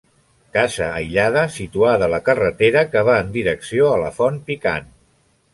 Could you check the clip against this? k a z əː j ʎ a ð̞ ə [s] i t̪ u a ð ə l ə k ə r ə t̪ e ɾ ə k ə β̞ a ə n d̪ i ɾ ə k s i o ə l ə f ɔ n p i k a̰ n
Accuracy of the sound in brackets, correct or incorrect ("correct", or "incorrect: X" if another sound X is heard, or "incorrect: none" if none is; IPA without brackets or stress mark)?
correct